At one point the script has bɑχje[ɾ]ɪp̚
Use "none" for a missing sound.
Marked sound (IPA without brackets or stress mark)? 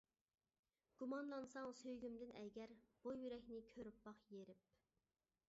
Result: ɾ